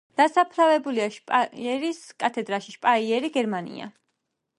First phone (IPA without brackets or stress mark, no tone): d̪̥